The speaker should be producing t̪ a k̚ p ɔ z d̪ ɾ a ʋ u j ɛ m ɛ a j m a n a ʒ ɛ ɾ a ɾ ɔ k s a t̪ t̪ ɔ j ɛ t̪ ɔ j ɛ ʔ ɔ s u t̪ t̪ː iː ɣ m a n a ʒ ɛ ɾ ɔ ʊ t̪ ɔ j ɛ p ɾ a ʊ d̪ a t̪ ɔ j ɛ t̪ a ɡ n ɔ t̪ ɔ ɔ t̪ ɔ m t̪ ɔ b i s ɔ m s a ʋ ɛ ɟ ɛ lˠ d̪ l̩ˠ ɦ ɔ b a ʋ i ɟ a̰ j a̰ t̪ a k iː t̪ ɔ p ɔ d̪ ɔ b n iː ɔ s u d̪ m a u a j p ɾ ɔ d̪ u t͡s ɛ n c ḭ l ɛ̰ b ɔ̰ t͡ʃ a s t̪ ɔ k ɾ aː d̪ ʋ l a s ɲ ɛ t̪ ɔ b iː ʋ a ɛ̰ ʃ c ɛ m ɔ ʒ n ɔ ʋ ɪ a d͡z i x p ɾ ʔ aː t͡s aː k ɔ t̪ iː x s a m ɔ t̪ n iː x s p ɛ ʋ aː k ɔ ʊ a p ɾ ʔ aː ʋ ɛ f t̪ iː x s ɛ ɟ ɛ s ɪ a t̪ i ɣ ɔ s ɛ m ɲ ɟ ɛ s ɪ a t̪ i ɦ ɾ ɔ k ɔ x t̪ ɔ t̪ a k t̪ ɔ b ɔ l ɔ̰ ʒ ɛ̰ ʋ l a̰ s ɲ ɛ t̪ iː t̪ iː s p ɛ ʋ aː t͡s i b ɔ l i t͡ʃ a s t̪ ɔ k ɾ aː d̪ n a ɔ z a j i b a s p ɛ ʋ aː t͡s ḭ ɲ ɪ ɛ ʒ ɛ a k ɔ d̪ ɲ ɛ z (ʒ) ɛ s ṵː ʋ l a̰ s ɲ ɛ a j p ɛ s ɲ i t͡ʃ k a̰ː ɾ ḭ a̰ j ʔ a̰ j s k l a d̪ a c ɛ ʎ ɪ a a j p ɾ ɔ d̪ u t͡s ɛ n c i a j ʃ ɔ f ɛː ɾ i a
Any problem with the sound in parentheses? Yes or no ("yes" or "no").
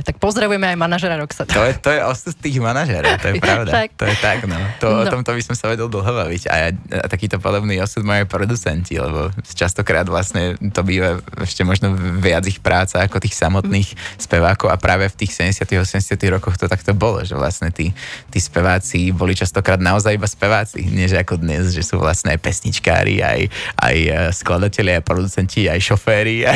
no